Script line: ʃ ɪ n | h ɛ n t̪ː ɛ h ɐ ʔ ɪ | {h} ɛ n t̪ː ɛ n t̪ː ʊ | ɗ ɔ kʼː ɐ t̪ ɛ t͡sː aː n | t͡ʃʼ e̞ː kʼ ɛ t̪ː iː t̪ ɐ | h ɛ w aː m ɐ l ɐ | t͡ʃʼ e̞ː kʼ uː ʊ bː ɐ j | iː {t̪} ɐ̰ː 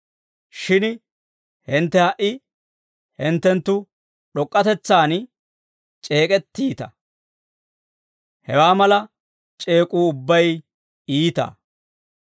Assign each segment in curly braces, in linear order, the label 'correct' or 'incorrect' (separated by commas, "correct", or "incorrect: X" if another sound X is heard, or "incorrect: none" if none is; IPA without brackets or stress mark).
correct, correct